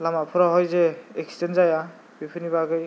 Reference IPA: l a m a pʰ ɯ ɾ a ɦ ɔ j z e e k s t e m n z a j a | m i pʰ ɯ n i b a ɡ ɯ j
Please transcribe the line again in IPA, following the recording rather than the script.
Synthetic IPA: l a m a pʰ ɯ ɾ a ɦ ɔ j z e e k s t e n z a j a | b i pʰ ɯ n i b a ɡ ɯ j

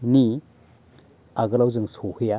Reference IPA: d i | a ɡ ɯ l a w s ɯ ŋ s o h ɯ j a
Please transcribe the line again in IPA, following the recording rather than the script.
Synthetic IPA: n i | a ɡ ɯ l a w z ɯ ŋ s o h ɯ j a

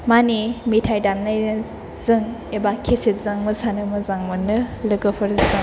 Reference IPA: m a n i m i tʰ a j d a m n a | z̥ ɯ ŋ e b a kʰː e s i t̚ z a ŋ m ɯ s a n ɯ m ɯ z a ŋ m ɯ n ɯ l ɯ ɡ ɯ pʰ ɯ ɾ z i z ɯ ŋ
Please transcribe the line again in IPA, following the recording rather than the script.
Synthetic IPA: m a n i m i tʰ a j d a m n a | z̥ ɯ ŋ e b a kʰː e s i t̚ z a ŋ m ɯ s a n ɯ m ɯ z a ŋ m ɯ n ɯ l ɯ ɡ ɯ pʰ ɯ ɾ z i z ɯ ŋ

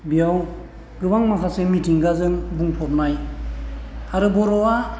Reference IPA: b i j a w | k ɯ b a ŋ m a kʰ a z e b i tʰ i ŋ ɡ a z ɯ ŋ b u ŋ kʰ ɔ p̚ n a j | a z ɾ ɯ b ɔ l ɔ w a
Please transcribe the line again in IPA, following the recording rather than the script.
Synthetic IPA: b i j a w | ɡ ɯ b a ŋ m a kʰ a s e m i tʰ i ŋ ɡ a z ɯ ŋ b u ŋ pʰ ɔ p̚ n a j | a ɾ ɯ b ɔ ɾ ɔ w a

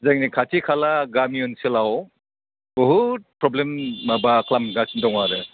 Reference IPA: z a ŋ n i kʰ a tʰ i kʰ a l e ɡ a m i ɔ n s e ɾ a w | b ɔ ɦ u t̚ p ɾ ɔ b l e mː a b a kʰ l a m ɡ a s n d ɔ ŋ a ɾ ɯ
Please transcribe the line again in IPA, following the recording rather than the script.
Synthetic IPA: z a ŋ n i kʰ a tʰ i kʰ a l a ɡ a m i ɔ n s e l a w | b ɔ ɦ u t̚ p ɾ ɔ b l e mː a b a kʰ l a m ɡ a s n d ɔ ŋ a ɾ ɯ

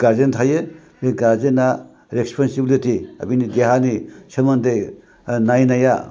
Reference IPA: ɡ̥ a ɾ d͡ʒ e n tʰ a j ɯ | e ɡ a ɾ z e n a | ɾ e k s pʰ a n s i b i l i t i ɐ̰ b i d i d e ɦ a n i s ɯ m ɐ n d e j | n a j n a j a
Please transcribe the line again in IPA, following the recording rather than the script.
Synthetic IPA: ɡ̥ a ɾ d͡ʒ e n tʰ a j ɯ | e ɡ a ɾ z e n a | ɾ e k s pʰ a n s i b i l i t i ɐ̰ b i n i d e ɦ a n i s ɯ m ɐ n d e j | n a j n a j a

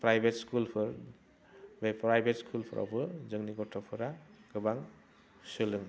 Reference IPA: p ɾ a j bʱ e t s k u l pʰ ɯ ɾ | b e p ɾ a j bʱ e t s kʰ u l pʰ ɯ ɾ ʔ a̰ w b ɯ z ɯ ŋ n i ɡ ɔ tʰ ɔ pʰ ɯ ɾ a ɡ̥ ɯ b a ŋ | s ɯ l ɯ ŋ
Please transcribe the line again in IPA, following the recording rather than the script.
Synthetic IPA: p ɾ a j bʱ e t s k u l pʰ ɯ ɾ | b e p ɾ a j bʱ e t s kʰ u l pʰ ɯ ɾ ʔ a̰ w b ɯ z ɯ ŋ n i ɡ ɔ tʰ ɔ pʰ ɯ ɾ a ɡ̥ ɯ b a ŋ | s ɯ l ɯ ŋ

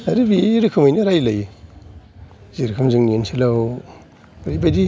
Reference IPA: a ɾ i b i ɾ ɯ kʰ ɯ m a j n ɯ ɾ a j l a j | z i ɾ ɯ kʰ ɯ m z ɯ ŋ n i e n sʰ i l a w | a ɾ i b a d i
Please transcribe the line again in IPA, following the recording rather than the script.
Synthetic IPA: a ɾ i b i ɾ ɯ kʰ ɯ m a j n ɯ ɾ a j l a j | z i ɾ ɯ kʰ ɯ m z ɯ ŋ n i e n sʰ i l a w | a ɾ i b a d i

